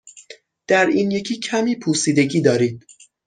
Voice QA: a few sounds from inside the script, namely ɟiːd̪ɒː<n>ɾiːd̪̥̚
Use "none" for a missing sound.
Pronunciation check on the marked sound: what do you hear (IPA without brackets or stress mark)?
none